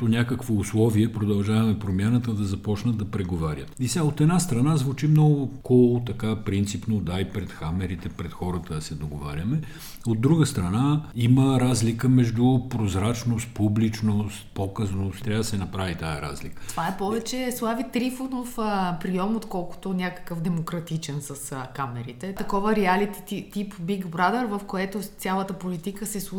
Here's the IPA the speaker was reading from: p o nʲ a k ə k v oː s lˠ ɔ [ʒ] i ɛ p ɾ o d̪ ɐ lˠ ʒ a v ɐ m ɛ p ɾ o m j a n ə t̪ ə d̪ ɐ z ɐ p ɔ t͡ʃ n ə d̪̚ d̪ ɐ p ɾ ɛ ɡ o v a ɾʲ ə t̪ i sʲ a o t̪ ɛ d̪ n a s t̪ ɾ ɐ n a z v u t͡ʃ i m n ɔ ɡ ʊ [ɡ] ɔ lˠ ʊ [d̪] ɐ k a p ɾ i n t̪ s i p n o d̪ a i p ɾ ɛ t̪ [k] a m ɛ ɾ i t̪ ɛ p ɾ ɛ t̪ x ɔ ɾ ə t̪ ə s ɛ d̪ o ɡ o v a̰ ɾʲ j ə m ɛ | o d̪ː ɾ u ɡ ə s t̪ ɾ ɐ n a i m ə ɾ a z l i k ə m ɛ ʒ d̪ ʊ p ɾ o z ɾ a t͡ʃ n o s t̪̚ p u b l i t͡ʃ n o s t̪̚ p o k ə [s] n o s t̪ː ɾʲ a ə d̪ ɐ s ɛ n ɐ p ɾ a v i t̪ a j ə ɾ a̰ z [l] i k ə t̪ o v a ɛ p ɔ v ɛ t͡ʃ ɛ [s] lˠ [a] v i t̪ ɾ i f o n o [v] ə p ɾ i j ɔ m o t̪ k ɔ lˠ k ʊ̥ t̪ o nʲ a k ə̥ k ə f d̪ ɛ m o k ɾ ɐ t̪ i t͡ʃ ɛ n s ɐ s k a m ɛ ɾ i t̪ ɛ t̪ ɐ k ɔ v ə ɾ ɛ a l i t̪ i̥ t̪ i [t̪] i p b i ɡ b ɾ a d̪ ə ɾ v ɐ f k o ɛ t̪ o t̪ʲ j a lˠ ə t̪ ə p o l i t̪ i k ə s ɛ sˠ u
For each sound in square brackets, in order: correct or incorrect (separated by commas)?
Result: incorrect, incorrect, incorrect, incorrect, incorrect, correct, correct, correct, incorrect, correct